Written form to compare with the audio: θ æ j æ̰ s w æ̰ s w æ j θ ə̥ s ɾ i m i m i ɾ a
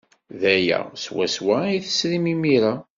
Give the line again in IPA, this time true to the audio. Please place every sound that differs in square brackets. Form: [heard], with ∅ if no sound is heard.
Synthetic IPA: [ð] æ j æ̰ s w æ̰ s w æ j θ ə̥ s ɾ i m i m i ɾ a